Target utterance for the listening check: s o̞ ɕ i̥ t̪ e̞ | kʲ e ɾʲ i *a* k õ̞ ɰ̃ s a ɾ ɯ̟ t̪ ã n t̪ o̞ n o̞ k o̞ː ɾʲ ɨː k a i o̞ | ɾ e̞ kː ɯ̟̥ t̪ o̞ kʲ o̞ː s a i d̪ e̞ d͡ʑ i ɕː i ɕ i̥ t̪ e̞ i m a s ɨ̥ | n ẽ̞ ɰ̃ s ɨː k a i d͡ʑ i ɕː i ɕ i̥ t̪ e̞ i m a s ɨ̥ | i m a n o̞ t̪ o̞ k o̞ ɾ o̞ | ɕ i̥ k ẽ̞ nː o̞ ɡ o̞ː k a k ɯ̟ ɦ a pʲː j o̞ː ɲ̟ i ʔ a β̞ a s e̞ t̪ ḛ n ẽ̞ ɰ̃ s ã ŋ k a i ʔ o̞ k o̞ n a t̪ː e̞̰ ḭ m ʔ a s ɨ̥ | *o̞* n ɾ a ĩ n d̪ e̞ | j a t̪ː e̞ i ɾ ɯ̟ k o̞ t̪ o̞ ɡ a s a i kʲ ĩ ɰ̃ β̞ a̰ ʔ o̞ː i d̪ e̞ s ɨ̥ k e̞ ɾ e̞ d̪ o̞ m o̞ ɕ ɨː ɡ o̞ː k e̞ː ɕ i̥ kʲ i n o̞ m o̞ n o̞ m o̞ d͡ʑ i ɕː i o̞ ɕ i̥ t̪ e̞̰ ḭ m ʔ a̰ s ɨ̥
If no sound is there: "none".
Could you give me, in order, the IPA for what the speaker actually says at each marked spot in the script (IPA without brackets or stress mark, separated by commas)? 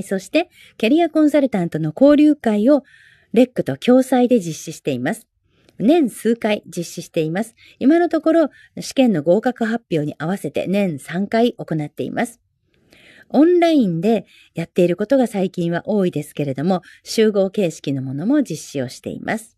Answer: a, õ̞